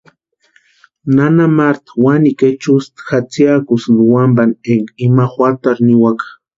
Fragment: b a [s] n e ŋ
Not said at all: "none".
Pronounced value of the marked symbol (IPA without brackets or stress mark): none